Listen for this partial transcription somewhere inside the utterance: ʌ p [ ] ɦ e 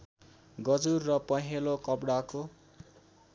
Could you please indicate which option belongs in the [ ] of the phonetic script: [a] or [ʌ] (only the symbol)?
ʌ